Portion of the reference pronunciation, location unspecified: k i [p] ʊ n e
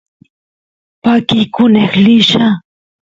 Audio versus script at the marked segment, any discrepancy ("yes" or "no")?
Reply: yes